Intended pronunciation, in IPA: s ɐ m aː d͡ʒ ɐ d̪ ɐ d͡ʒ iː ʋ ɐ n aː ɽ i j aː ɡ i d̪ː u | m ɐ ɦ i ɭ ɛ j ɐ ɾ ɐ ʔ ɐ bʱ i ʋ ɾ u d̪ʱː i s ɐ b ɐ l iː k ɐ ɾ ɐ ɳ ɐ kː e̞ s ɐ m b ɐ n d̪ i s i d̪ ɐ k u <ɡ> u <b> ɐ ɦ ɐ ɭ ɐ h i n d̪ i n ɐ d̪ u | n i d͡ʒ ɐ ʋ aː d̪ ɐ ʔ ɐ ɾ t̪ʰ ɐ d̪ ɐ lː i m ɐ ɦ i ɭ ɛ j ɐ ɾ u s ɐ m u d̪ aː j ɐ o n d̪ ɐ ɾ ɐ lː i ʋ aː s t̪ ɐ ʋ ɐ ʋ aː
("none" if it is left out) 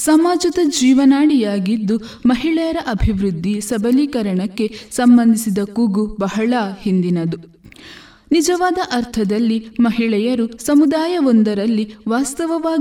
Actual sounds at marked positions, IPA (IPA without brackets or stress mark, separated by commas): ɡ, b